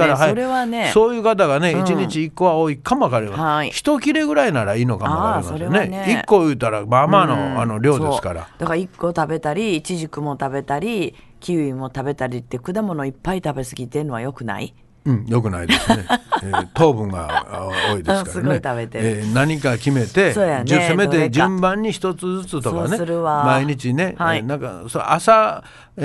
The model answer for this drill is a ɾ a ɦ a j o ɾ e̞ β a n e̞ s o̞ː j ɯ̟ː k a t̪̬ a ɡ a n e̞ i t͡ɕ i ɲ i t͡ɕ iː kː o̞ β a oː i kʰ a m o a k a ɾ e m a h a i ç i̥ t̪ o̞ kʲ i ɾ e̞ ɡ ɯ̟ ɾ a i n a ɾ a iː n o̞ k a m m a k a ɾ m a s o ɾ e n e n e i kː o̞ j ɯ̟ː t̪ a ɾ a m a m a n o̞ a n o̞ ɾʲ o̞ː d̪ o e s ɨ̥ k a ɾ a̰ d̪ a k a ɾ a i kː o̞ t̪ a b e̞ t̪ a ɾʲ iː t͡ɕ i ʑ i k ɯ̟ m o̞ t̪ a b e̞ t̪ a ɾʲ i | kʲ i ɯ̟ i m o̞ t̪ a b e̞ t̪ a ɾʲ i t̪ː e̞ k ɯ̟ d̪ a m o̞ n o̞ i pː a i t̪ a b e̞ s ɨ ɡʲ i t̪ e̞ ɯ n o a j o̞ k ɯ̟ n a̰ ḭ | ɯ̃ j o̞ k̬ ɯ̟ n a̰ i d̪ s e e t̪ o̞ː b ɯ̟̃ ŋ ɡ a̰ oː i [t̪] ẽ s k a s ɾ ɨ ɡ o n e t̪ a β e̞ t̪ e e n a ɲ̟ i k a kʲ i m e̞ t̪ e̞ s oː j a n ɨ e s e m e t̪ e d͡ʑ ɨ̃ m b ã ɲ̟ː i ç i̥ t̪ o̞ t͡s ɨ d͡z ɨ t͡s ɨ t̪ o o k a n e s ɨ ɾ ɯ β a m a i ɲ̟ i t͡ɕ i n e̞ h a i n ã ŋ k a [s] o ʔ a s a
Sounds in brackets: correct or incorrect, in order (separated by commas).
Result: incorrect, correct